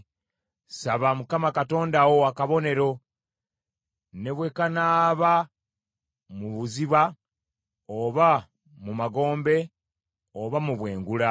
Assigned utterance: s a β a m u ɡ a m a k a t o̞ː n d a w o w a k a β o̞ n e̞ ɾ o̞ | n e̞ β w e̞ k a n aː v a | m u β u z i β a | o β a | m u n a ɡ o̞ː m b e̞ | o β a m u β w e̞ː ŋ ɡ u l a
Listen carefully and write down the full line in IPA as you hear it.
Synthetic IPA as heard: s a β a m u k a m a k a t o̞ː n d a w o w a k a β o̞ n e̞ ɾ o̞ | n e̞ β w e̞ k a n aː β a | m u β u z i β a | o β a | m u m a ɡ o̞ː m b e̞ | o β a m u β w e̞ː ŋ ɡ u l a